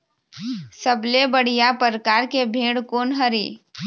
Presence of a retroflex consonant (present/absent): present